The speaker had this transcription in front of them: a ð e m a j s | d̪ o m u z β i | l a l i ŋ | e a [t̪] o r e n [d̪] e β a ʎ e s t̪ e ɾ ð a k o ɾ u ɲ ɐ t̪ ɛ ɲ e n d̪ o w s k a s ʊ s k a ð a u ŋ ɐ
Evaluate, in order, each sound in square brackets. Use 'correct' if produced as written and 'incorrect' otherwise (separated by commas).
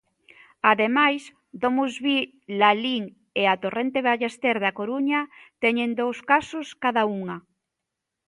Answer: correct, incorrect